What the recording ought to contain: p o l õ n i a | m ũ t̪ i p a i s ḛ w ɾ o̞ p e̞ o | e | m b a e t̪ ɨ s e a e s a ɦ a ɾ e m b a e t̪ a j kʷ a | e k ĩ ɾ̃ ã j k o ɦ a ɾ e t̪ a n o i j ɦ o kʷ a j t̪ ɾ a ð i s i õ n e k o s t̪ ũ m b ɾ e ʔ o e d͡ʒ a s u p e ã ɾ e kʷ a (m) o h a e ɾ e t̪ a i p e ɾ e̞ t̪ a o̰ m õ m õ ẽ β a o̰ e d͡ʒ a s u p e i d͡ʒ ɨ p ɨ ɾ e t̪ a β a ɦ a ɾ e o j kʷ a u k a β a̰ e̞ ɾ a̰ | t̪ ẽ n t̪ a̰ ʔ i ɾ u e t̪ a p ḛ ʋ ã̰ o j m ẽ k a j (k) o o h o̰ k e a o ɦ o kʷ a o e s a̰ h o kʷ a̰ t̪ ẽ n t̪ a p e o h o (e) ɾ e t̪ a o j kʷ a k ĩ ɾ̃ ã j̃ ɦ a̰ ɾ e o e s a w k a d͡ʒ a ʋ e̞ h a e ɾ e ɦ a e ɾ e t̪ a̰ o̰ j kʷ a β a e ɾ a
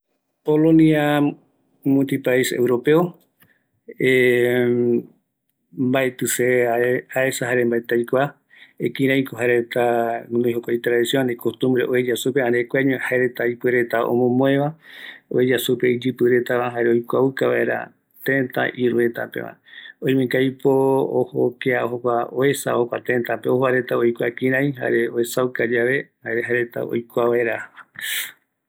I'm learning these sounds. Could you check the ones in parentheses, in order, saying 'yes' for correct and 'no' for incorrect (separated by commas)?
no, no, no